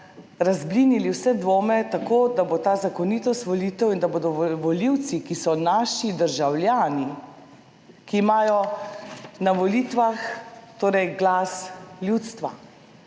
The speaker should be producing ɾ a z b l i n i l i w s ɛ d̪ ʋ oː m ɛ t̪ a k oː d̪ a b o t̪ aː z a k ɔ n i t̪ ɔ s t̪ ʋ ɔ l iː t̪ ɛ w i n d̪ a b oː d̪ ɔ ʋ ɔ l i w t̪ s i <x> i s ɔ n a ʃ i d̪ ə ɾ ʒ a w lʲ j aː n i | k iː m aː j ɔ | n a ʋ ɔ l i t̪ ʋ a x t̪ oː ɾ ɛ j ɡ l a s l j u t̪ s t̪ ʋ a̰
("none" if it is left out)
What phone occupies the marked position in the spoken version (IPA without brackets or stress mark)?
k